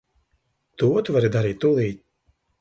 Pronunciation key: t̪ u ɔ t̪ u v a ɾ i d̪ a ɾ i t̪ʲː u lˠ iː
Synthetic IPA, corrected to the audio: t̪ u ɔ t̪ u v a ɾ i d̪ a ɾ iː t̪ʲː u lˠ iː